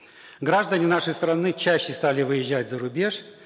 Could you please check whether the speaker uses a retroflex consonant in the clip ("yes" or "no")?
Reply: yes